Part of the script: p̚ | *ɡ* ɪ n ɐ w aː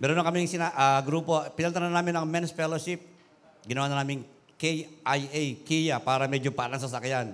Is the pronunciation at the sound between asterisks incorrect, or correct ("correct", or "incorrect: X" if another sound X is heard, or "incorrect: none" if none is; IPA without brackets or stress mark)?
correct